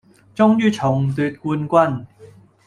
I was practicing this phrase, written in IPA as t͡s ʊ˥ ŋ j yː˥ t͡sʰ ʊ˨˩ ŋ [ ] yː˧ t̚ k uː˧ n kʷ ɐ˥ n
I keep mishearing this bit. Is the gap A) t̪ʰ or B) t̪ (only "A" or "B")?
B